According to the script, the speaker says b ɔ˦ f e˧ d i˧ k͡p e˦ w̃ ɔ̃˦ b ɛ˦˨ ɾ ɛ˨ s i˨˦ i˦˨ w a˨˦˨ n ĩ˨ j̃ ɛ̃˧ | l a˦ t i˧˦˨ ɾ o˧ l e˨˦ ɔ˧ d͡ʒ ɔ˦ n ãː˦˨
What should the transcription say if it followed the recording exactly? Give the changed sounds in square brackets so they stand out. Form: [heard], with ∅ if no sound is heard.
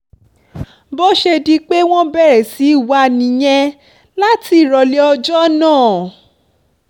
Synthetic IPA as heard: b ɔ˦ [ʃ] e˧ d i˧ k͡p e˦ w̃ ɔ̃˦ b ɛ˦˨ ɾ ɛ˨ s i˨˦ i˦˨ w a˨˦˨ n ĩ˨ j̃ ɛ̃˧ | l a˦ t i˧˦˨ ɾ [ɔ˧] l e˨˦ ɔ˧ d͡ʒ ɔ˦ n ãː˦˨